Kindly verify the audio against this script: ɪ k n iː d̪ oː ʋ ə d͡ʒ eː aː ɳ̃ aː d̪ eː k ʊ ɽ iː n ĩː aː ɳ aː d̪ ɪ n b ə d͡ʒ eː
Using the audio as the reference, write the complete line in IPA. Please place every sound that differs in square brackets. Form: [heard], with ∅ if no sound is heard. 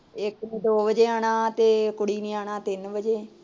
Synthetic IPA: ɪ k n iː d̪ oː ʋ ə d͡ʒ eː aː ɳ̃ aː [t̪] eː k ʊ ɽ iː n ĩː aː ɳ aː [t̪] ɪ n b ə d͡ʒ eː